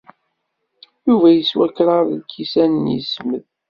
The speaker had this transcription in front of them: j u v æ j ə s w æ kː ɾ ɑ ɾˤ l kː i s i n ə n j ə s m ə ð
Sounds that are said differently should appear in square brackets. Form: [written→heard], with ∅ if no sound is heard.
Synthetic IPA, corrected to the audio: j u v æ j ə s w æ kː ɾ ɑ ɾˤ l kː i s [i→æ] n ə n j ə s m ə ð